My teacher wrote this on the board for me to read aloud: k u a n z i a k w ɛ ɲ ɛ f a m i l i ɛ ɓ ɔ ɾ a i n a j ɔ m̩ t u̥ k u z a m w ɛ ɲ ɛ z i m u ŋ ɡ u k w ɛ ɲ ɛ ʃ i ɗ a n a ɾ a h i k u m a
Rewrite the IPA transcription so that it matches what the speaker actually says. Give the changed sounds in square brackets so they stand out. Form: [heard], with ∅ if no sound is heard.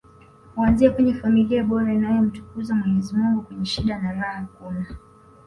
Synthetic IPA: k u a n z i a k w ɛ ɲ ɛ f a m i l i [a] ɓ ɔ ɾ a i n a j ɔ m̩ t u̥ k u z a m w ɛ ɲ ɛ z i m u ŋ ɡ u k w ɛ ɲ ɛ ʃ i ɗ a n a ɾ a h [a] k u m a